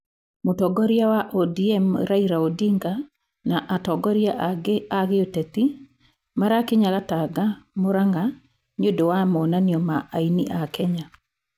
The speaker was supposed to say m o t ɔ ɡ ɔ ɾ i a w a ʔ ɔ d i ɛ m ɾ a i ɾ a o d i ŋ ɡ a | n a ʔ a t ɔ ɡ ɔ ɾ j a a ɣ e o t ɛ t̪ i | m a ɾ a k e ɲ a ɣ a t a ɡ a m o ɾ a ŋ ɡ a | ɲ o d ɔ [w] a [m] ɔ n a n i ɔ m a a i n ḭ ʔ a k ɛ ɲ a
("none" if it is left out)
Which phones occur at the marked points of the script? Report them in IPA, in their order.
w, m

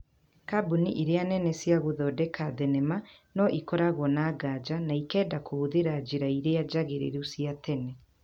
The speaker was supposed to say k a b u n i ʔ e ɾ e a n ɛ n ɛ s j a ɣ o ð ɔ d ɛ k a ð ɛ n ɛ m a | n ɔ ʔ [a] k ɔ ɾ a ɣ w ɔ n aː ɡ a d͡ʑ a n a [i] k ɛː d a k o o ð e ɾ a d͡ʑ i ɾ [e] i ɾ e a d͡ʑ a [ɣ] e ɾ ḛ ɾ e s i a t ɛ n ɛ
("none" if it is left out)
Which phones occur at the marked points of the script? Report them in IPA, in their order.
i, i, a, ɣ

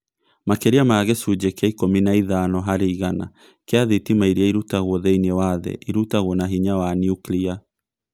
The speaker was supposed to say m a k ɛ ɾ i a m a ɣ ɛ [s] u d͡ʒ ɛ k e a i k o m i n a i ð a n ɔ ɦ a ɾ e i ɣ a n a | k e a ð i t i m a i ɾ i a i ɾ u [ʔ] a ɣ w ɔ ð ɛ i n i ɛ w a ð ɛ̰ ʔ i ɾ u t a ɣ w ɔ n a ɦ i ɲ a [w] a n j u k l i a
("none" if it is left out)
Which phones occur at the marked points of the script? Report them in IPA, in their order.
s, t, w

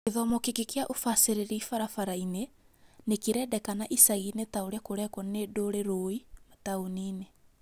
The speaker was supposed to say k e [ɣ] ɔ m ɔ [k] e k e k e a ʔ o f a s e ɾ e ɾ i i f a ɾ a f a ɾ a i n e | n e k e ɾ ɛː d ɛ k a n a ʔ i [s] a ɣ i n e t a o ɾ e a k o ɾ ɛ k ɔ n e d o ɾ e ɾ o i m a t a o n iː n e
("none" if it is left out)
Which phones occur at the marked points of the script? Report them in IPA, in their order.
ð, k, s

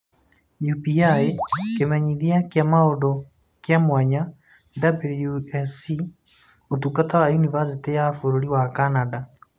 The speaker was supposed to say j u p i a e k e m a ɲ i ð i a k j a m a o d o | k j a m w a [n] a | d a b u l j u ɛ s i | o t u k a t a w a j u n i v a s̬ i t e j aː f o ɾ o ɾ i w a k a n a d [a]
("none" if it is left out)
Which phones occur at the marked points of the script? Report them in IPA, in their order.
ɲ, a

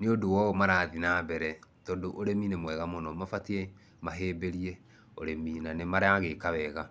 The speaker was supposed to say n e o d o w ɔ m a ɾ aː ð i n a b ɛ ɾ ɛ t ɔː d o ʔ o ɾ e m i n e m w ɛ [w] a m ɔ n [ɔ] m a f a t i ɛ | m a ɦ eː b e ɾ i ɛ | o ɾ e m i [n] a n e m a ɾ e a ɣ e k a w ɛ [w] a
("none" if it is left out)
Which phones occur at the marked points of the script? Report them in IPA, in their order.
ɣ, ɔ, n, ɣ

